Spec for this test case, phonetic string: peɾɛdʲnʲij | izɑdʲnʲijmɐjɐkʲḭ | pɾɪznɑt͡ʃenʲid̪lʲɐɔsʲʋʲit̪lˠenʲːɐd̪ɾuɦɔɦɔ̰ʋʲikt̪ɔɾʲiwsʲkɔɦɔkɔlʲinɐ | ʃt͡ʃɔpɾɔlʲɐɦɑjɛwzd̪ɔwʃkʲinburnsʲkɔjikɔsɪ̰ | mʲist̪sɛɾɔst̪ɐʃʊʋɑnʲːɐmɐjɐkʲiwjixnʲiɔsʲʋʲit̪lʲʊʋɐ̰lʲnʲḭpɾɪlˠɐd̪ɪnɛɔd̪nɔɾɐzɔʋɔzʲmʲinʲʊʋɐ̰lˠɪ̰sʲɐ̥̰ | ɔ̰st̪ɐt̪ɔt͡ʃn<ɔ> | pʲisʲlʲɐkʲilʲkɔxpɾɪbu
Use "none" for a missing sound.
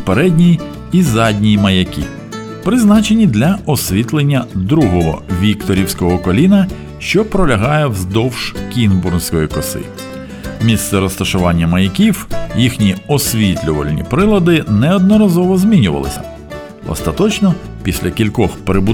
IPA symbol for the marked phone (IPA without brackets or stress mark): ɔ